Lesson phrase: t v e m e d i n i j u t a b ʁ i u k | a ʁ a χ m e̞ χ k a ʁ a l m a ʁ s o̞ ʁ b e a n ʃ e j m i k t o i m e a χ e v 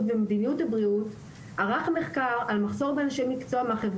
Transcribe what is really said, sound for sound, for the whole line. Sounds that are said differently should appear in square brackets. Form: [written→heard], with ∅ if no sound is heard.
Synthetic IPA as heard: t v e m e d i n i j u t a b ʁ i u [k→t] | a ʁ a χ m e̞ χ k a ʁ a l m a [ʁ→χ] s o̞ ʁ b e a n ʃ e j m i k [t→t͡s] o [i→a] m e a χ e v